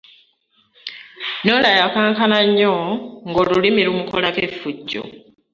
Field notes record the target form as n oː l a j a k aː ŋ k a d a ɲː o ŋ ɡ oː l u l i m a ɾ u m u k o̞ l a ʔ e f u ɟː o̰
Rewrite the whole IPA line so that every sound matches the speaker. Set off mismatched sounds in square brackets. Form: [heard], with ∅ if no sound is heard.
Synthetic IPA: n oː l a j a k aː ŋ k a [n] a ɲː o ŋ ɡ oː l u l i m [i] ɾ u m u k o̞ l a [k] e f u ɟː o̰